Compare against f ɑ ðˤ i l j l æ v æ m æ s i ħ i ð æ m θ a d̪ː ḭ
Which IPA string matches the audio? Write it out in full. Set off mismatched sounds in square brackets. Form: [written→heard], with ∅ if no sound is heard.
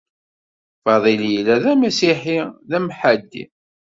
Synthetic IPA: f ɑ ðˤ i l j l æ [v→ð] æ m æ s i ħ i ð æ m [θ→ħ] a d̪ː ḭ